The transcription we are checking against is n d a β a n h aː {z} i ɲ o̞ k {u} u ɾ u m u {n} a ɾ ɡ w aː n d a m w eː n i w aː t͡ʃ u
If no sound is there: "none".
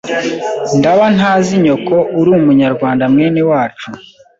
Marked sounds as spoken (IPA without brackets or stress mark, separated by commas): z, o, ɲ